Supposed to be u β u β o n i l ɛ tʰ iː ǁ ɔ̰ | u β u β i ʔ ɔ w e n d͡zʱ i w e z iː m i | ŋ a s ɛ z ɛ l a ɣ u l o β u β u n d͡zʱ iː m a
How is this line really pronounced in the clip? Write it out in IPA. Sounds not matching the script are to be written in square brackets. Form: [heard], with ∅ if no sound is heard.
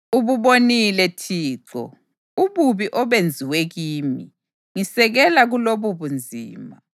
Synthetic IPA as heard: u β u β o n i l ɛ tʰ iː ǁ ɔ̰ | u β u β i ʔ ɔ [β] e n d͡zʱ i w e [ɣ] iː m i | ŋ [i] s ɛ [ɣ] ɛ l a ɣ u l o β u β u n d͡zʱ iː m a